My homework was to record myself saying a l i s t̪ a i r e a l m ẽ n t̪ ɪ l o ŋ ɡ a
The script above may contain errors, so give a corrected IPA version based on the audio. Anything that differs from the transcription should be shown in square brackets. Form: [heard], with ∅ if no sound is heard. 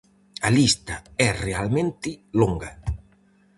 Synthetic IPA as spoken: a l i s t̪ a [ɛ] r e a l m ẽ n t̪ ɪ l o ŋ ɡ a